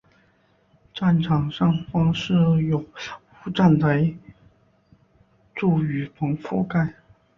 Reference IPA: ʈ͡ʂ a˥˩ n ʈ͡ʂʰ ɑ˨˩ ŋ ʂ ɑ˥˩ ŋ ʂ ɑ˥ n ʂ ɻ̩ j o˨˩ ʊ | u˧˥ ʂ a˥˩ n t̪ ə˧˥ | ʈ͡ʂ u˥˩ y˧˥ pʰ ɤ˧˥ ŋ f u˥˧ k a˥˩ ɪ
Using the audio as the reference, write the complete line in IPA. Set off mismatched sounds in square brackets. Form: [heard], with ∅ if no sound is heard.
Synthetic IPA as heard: ʈ͡ʂ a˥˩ n ʈ͡ʂʰ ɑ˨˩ ŋ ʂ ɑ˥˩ ŋ [f] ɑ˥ [ŋ] ʂ ɻ̩ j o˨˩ ʊ | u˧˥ [ʈ͡ʂ] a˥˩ n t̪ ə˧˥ | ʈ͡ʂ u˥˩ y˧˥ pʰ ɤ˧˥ ŋ f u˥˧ k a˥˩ ɪ

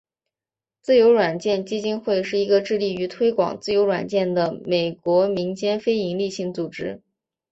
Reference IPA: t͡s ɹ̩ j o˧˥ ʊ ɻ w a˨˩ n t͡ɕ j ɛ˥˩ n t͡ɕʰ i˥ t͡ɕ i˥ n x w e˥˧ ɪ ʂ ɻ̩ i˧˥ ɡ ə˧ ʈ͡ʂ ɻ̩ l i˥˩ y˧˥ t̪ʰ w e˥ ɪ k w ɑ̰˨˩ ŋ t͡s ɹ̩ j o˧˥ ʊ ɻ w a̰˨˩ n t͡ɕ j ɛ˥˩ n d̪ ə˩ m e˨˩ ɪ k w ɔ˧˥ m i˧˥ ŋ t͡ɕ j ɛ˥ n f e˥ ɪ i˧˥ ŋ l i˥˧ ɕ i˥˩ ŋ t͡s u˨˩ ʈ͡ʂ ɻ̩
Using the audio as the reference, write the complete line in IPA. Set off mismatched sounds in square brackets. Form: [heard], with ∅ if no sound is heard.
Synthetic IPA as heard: t͡s ɹ̩ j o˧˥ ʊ ɻ w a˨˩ n t͡ɕ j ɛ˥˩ n [t͡ɕ] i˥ t͡ɕ i˥ n x w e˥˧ ɪ ʂ ɻ̩ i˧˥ ɡ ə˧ ʈ͡ʂ ɻ̩ l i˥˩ y˧˥ t̪ʰ w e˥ ɪ k w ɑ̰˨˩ ŋ t͡s ɹ̩ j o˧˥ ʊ ɻ w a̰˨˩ n t͡ɕ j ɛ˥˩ n d̪ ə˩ m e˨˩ ɪ k w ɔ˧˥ m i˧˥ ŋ t͡ɕ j ɛ˥ n f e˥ ɪ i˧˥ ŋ l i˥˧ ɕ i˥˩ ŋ t͡s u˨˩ ʈ͡ʂ ɻ̩

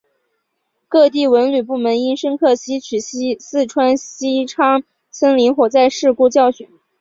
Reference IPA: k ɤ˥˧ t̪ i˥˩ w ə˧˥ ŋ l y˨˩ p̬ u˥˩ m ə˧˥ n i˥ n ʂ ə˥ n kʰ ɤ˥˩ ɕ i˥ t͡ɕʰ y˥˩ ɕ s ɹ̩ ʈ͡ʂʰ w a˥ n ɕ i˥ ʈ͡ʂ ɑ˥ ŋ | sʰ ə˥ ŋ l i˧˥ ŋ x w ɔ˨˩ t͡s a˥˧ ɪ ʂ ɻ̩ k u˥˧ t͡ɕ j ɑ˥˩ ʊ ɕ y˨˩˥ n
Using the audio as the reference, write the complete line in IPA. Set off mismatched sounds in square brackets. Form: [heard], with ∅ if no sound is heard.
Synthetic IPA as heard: k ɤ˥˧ t̪ i˥˩ w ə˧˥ [n] l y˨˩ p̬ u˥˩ m ə˧˥ n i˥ n ʂ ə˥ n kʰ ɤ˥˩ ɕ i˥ t͡ɕʰ [y˨˩] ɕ s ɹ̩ ʈ͡ʂʰ w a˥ n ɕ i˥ [ʈ͡ʂʰ] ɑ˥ ŋ | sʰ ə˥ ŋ l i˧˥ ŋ x w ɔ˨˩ t͡s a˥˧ ɪ ʂ ɻ̩ k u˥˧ t͡ɕ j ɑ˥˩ ʊ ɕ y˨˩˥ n

